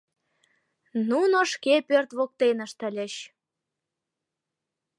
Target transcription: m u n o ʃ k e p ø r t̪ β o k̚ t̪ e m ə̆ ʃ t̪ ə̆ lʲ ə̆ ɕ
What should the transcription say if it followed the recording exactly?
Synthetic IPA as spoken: n u n o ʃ k e p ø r t̪ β o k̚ t̪ e n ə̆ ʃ t̪ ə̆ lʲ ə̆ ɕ